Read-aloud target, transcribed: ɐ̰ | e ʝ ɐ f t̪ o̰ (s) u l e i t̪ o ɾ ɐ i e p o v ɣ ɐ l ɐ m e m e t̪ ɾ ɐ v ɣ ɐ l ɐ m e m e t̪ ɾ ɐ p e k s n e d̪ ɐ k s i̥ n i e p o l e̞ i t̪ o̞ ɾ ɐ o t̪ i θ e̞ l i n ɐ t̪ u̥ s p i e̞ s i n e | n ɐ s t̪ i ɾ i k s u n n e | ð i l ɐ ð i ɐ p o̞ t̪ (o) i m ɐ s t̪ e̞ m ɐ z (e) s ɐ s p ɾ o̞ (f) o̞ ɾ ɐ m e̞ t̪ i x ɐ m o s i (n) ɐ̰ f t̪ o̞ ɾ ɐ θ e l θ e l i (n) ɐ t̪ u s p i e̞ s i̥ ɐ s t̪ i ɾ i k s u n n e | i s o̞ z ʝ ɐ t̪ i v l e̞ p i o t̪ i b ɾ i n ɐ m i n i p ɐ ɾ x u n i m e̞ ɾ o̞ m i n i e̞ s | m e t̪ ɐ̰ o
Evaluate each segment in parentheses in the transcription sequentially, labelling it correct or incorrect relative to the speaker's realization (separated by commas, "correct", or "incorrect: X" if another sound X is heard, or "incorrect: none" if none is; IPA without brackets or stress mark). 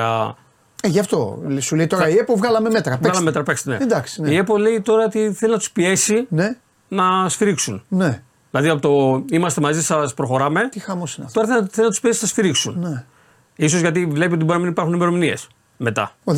correct, correct, incorrect: i, incorrect: x, correct, correct